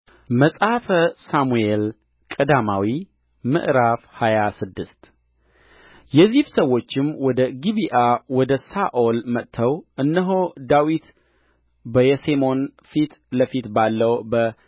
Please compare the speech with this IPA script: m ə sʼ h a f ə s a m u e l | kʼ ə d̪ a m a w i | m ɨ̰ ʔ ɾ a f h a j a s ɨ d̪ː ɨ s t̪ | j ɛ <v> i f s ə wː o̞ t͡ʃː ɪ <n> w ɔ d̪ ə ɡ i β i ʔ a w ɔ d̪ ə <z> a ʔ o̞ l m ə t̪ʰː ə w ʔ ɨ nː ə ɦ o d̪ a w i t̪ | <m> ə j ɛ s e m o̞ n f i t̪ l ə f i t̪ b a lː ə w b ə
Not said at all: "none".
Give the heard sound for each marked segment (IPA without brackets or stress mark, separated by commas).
z, m, s, b